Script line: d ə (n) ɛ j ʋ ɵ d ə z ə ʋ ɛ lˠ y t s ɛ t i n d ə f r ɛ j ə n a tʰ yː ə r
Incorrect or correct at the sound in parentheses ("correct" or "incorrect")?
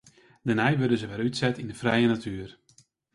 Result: correct